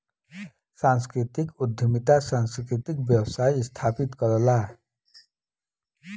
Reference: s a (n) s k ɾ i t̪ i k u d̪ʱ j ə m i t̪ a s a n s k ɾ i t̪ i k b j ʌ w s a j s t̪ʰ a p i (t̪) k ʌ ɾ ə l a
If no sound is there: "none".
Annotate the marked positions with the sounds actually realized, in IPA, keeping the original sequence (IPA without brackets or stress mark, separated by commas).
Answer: n, t̪